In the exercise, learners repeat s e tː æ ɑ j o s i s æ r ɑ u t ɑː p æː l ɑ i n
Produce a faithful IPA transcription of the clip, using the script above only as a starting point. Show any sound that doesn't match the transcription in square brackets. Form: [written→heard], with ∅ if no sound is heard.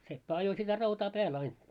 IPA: s e [tː→pː] æ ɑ j o s i [s→t] æ r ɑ u t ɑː p æː l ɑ i n